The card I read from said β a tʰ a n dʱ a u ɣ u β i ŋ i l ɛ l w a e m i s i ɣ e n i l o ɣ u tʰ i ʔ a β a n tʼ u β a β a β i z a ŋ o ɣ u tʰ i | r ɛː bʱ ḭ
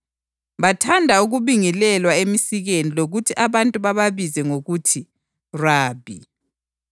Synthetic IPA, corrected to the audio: β a tʰ a n dʱ a u ɣ u β i ŋ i l ɛ l w a e m i s i ɣ e n i l o ɣ u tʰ i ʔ a β a n tʼ u β a β a β i z ɛ ŋ o ɣ u tʰ i | r aː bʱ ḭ